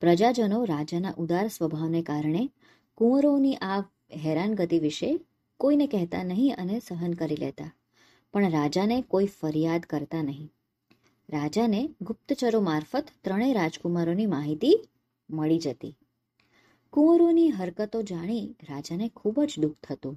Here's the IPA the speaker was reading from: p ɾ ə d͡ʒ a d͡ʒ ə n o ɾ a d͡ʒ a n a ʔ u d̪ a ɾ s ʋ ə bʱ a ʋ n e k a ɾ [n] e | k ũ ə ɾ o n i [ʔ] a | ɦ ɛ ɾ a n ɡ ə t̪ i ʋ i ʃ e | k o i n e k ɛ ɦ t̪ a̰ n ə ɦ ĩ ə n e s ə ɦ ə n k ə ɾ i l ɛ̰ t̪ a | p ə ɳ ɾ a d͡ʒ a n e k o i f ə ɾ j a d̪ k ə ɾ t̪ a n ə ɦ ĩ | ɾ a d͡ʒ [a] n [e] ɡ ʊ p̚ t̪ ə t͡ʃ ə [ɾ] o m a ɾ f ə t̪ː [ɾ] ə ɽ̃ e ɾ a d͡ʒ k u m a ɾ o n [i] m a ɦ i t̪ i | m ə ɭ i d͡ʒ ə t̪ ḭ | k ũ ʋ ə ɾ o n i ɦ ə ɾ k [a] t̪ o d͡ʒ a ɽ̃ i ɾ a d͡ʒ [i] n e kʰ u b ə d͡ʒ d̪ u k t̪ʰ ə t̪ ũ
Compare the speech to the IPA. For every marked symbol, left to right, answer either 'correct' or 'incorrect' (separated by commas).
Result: incorrect, correct, correct, correct, correct, correct, correct, incorrect, incorrect